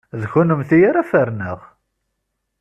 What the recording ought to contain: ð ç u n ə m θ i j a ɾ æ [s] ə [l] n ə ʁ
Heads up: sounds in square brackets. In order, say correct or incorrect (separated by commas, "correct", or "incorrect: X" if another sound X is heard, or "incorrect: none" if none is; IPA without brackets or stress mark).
incorrect: f, incorrect: ɾ